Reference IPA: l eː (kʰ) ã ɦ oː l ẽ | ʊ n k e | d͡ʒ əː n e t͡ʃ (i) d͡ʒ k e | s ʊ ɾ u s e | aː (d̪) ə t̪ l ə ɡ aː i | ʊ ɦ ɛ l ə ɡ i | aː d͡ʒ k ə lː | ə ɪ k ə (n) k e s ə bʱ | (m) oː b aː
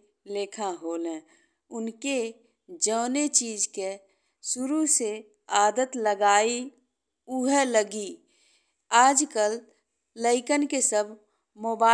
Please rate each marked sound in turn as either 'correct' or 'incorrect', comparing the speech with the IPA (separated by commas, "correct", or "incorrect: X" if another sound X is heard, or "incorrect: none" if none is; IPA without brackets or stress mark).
correct, incorrect: iː, correct, correct, correct